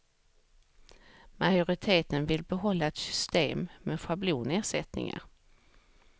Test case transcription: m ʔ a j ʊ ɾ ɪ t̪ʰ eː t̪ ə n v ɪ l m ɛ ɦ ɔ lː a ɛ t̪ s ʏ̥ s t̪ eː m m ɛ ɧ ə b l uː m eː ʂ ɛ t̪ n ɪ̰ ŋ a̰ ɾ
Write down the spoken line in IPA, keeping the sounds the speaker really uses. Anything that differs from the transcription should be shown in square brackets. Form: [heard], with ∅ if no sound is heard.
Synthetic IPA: m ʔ a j ʊ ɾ ɪ t̪ʰ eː t̪ ə n v ɪ l [b] ɛ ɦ ɔ lː a ɛ t̪ s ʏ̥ s t̪ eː m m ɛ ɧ [a] b l uː [n] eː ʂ ɛ t̪ n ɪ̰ ŋ a̰ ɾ